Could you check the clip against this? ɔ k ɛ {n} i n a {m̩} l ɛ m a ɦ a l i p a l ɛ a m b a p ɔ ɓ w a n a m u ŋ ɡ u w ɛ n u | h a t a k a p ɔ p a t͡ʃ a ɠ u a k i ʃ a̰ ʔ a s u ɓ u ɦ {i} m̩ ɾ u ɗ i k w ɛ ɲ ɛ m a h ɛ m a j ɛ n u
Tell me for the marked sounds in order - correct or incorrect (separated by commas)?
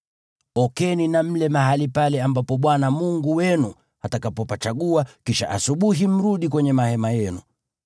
correct, correct, correct